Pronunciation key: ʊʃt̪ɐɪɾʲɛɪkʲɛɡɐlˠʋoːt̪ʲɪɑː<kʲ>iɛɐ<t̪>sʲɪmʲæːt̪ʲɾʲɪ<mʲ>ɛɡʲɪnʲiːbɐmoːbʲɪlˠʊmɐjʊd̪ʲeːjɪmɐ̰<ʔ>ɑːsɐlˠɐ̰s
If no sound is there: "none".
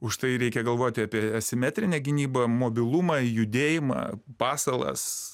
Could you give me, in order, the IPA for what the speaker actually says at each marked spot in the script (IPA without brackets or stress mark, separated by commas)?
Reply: pʲ, none, nʲ, p